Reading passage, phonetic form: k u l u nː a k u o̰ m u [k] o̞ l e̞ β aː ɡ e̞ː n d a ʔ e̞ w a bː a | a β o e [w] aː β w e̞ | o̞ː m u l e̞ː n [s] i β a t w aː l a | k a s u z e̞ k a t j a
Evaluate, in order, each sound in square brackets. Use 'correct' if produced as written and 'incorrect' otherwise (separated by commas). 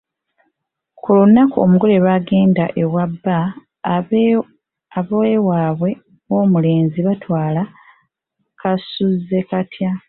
incorrect, correct, incorrect